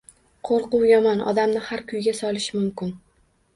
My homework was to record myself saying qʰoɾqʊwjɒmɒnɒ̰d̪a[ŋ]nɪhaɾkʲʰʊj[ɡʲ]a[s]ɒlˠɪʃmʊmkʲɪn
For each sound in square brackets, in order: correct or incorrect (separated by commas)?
incorrect, correct, correct